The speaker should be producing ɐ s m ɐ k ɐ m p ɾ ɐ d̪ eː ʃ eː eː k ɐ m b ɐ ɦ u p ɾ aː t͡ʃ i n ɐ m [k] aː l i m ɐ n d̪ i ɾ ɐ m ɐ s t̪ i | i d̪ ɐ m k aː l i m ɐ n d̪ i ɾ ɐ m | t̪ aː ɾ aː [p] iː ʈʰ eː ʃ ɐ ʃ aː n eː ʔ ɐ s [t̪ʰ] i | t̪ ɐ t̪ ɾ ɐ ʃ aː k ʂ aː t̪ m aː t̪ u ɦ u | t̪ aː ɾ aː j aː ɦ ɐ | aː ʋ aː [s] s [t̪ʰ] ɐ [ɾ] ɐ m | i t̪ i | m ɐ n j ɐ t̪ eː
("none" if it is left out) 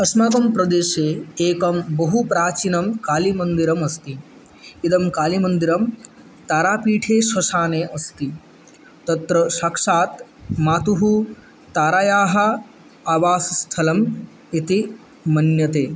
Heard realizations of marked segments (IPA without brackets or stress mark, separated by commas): k, p, t̪, s, t̪ʰ, l